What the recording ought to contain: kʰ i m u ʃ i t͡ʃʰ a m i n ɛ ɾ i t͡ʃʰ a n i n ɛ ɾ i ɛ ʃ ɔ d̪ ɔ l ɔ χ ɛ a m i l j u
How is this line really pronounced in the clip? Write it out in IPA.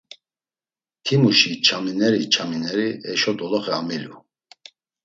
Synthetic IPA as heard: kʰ i m u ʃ i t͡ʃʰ a m i n ɛ ɾ i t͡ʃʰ a m i n ɛ ɾ i ɛ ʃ ɔ d̪ ɔ l ɔ χ ɛ a m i l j u